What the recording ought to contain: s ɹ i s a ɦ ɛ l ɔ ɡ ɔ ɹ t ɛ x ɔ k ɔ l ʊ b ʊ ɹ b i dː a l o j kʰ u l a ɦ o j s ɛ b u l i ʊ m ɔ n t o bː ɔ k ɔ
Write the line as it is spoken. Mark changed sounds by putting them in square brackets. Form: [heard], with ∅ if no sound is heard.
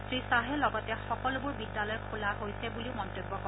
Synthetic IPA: s ɹ i s a ɦ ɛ l ɔ ɡ ɔ [∅] t ɛ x ɔ k ɔ l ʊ b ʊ ɹ b i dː a l [ɔ] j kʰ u l a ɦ o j s ɛ b u l i ʊ m ɔ n t o bː ɔ k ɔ